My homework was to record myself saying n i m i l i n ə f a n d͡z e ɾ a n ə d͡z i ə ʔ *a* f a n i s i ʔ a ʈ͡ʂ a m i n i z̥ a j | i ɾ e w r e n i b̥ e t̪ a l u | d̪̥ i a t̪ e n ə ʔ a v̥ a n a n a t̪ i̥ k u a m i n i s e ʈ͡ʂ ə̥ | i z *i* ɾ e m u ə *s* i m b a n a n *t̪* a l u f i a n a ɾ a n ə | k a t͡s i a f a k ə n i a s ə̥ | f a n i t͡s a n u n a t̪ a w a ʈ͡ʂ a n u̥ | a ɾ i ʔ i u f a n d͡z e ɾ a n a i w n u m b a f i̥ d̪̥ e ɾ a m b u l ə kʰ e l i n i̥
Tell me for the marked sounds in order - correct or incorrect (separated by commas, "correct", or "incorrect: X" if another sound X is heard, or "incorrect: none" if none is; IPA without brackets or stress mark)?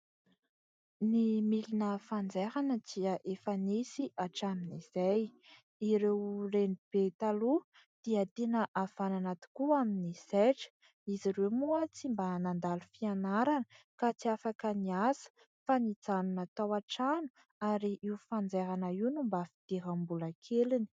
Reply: incorrect: e, correct, incorrect: t͡s, incorrect: d̪